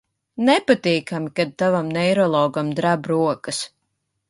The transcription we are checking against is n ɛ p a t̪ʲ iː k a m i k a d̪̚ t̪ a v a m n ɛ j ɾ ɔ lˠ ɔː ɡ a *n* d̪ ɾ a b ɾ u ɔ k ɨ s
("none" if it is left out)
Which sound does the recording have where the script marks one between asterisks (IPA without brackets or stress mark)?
m